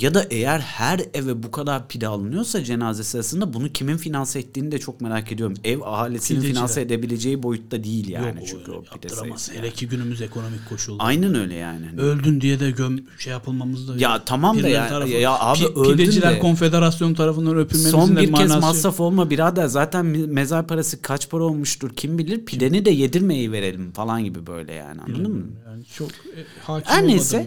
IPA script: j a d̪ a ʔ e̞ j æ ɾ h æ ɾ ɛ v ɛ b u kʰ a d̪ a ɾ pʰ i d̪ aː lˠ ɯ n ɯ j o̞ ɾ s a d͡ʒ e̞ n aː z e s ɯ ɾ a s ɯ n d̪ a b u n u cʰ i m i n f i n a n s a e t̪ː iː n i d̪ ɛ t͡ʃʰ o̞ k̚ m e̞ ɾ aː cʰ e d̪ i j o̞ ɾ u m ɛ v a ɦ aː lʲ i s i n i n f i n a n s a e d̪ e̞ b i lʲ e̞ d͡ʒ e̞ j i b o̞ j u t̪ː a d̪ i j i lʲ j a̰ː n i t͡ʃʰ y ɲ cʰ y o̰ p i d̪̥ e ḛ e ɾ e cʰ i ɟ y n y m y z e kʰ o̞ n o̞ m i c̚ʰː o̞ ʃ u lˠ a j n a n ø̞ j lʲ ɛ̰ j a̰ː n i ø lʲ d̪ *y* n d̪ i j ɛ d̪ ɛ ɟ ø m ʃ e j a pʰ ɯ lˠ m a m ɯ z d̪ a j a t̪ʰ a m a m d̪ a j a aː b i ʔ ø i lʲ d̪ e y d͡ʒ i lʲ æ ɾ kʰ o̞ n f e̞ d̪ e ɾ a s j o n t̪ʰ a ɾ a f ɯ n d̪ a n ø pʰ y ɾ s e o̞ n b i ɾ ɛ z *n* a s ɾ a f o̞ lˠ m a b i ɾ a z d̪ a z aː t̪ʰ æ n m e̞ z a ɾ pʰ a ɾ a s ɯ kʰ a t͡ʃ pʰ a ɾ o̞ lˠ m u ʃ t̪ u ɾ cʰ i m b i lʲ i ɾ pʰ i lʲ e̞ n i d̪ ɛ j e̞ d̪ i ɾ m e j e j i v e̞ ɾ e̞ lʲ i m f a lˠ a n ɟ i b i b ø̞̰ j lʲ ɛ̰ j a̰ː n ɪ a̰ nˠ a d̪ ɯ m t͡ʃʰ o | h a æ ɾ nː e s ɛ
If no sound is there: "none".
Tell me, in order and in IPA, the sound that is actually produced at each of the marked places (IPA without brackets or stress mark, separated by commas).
y, m